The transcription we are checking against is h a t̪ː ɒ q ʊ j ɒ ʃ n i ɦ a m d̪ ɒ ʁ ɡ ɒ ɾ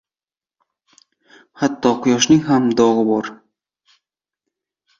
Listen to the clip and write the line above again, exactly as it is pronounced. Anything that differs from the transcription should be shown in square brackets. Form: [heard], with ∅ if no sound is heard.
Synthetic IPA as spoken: h a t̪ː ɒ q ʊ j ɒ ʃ n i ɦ a m d̪ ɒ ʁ [b] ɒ ɾ